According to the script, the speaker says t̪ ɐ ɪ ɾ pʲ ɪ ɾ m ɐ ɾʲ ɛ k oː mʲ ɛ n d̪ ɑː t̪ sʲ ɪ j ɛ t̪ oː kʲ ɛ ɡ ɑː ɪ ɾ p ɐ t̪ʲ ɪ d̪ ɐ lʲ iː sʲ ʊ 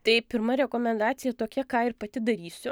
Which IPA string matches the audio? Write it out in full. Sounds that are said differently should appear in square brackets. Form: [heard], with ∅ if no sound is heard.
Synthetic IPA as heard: t̪ ɐ ɪ [∅] pʲ ɪ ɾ m ɐ ɾʲ ɛ k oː mʲ ɛ n d̪ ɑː t̪ sʲ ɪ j ɛ t̪ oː kʲ ɛ [k] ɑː ɪ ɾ p ɐ t̪ʲ ɪ d̪ ɐ [ɾʲ] iː sʲ ʊ